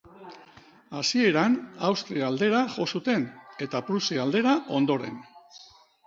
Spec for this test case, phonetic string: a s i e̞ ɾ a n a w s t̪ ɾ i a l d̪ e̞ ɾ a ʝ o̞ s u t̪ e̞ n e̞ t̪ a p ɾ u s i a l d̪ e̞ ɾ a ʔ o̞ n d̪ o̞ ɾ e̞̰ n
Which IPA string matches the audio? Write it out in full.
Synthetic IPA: a s i e̞ ɾ a n a w s t̪ ɾ i a l d̪ e̞ ɾ a ʝ o̞ s u t̪ e̞ n e̞ t̪ a p ɾ u s i a l d̪ e̞ ɾ a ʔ o̞ n d̪ o̞ ɾ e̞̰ n